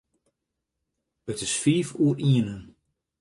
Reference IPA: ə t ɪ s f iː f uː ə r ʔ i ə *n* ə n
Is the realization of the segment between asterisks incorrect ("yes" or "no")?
no